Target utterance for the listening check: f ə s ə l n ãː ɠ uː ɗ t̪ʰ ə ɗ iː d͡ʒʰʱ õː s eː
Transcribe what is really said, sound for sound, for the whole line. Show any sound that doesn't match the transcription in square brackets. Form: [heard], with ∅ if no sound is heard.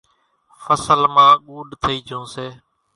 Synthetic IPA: f ə s ə l [m] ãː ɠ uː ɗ t̪ʰ ə [∅] iː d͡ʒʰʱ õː s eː